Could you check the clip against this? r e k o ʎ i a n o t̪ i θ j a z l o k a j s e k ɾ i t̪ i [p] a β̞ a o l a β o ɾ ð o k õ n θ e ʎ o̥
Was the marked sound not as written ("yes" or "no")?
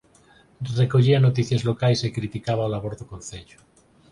yes